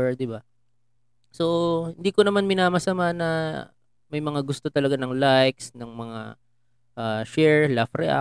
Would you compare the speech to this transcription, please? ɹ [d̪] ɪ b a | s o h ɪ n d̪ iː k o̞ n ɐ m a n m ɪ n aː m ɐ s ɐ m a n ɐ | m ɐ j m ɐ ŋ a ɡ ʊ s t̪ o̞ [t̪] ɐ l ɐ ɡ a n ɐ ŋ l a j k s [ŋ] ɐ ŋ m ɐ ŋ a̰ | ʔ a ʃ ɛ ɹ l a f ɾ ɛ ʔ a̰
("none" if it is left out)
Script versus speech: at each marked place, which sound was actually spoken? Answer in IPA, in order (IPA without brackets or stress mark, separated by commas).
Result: d̪, t̪, n